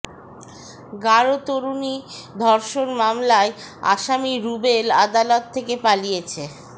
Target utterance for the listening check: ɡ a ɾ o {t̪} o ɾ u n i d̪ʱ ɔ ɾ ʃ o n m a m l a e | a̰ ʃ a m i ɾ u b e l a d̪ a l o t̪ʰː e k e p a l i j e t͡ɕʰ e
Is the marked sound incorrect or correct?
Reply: correct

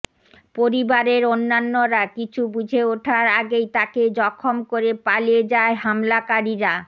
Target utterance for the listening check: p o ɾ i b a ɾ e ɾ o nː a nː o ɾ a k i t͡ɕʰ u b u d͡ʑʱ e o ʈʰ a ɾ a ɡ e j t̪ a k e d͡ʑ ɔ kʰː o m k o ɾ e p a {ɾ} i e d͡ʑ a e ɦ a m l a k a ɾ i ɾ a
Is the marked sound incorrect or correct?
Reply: incorrect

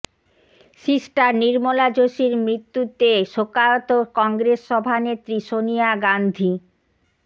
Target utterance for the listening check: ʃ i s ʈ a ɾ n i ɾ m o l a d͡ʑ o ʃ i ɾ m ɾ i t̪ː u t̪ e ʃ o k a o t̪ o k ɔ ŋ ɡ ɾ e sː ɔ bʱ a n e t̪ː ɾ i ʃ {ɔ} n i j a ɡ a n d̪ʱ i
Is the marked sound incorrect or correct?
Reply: incorrect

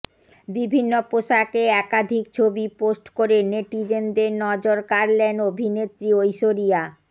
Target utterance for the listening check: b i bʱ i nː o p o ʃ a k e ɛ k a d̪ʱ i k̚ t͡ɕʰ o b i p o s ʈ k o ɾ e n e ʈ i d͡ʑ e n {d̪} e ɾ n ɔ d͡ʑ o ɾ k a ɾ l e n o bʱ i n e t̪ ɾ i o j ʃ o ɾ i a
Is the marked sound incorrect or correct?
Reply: correct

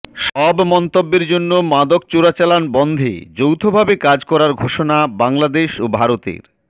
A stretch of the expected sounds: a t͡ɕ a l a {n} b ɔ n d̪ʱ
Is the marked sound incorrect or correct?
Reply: correct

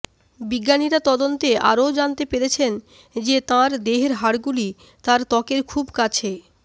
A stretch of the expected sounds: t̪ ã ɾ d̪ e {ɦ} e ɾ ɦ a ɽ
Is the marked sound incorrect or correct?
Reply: correct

